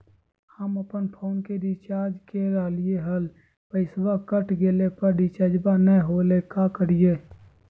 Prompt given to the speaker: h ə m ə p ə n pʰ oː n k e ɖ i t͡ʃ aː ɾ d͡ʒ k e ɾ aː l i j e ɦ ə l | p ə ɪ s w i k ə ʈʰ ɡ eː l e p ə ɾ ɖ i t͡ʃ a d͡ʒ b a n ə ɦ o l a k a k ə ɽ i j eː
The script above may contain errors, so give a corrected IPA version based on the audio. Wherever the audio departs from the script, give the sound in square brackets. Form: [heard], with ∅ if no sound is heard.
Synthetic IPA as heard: h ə m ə p ə n pʰ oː n k e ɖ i t͡ʃ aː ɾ d͡ʒ k e ɾ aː l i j e ɦ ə l | p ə ɪ s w [a] k ə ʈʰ ɡ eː l e p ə ɾ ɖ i t͡ʃ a d͡ʒ b a n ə ɦ o l [e] k a k ə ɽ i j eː